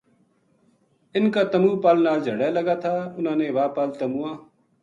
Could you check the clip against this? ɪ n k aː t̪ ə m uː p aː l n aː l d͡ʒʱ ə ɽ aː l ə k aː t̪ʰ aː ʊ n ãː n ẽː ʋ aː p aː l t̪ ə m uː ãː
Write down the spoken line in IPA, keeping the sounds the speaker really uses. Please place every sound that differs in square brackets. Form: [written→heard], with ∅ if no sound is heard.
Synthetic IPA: ɪ n k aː t̪ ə m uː p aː l n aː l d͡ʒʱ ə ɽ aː l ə [k→ɡ] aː t̪ʰ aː ʊ n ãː n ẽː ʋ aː p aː l t̪ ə m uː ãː